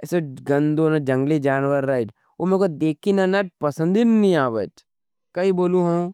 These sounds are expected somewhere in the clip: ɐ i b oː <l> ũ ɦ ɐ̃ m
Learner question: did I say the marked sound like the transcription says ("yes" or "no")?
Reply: yes